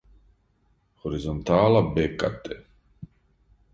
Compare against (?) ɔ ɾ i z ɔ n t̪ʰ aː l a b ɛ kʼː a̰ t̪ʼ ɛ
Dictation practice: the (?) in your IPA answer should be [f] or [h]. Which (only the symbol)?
h